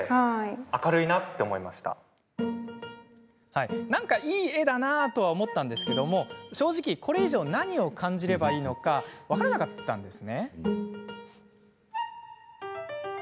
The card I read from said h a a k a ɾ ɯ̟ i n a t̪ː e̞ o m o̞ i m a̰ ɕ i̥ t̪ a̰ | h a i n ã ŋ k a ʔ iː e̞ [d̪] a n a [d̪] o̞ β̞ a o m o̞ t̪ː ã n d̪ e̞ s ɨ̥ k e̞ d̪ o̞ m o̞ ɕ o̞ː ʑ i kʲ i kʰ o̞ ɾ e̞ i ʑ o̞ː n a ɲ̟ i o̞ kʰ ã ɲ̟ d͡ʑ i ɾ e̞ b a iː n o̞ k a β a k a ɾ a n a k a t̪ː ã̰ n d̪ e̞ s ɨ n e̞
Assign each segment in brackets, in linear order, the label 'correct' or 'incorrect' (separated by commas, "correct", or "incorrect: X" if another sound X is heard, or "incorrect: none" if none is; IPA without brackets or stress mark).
correct, incorrect: t̪